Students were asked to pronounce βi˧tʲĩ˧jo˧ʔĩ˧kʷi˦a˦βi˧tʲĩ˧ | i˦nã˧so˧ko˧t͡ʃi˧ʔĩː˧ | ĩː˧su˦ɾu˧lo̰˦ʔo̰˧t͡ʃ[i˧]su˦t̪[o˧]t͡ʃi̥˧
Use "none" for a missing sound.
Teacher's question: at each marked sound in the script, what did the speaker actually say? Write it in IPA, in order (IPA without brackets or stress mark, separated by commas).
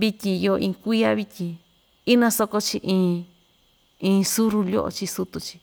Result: i˧, u˧